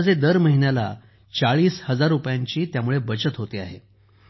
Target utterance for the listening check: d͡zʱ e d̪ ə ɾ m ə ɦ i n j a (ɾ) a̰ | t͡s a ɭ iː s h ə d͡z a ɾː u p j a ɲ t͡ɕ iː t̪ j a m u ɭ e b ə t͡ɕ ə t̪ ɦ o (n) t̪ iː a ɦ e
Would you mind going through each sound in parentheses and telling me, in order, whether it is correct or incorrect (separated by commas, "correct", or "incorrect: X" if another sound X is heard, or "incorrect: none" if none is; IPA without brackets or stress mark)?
incorrect: l, incorrect: none